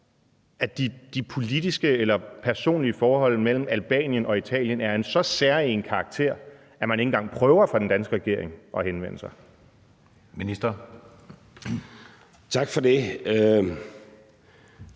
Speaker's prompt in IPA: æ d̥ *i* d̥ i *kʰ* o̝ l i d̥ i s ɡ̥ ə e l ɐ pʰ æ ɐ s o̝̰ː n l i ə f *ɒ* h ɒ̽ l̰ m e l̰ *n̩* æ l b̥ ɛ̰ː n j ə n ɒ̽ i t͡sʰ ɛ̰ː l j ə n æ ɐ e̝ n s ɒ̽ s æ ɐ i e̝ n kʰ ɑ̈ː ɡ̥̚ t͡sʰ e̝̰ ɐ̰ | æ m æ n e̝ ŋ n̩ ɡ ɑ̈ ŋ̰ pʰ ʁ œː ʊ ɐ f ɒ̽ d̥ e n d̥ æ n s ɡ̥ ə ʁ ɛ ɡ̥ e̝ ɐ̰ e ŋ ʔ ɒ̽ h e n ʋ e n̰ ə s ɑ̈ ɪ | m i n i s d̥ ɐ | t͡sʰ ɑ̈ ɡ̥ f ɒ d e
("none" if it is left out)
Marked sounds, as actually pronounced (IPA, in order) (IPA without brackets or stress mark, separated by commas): i, pʰ, ɒː, m̩